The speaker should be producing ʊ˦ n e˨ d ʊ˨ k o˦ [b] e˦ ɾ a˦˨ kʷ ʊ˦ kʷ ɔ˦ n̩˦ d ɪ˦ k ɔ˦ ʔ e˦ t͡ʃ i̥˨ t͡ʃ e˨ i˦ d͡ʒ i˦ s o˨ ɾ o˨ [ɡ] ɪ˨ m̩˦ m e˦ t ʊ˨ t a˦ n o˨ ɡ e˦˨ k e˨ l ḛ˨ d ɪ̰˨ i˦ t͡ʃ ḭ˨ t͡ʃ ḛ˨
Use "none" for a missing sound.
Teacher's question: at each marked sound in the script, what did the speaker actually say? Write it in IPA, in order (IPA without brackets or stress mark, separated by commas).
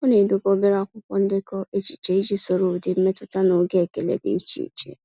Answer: b, d